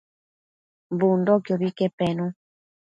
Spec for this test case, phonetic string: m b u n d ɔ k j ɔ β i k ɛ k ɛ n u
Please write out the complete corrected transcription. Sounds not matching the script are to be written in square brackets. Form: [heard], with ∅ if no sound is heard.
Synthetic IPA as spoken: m b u n d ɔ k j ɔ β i k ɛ [p] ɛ n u

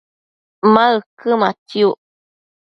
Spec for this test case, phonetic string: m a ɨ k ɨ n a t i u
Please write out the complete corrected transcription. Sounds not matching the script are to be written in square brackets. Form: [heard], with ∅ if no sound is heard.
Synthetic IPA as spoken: m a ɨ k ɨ [m] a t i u

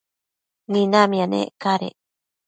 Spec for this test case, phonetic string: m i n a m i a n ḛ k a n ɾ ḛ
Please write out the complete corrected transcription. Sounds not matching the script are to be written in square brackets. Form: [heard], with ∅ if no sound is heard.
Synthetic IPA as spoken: [n] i n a m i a n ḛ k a [∅] ɾ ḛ

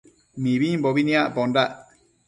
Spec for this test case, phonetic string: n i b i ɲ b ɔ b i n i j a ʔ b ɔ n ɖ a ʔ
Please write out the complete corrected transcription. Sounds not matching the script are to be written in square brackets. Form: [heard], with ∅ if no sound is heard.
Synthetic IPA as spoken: [m] i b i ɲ b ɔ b i n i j a ʔ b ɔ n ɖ a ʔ

